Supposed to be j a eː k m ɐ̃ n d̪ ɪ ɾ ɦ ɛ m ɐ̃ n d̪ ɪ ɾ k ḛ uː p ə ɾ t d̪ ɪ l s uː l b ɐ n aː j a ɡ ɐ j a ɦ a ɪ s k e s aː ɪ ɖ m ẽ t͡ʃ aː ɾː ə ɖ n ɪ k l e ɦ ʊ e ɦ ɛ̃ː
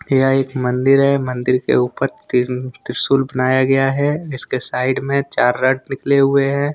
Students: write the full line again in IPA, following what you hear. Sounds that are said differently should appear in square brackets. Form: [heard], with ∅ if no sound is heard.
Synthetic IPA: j a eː k m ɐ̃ n d̪ ɪ ɾ ɦ ɛ m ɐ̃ n d̪ ɪ ɾ k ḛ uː p ə ɾ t [t̪] ɪ [ɾ] s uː l b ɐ n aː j a ɡ ɐ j a ɦ [ɛ] ɪ s k e s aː ɪ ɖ m ẽ t͡ʃ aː ɾː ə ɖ n ɪ k l e ɦ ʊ e ɦ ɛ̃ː